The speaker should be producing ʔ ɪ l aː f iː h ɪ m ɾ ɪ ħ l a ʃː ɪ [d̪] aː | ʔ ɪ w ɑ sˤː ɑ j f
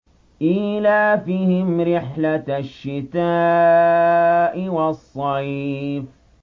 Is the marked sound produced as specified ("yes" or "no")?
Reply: no